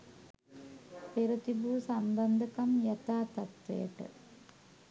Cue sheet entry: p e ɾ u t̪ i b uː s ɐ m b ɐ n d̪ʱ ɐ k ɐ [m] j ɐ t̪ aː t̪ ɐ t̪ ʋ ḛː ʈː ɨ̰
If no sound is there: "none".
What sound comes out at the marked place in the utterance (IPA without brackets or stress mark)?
m